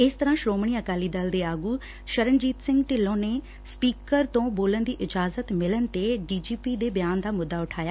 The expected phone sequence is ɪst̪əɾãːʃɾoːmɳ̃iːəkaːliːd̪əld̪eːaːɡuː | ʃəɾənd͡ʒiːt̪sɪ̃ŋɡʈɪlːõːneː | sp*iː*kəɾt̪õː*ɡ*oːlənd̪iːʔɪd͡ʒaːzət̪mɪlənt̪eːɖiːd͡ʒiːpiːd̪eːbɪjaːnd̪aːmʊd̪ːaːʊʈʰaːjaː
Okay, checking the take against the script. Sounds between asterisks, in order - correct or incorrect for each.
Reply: correct, incorrect: b

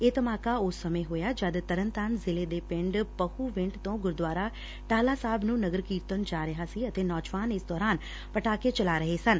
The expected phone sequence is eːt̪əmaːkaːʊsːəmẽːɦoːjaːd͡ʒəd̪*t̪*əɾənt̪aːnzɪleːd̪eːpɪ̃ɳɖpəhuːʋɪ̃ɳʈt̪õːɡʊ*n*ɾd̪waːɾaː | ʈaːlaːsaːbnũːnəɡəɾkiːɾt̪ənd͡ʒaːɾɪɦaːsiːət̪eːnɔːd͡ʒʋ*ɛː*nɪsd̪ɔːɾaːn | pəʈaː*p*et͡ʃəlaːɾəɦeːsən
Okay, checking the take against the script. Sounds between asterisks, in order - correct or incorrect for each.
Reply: correct, incorrect: none, incorrect: aː, incorrect: k

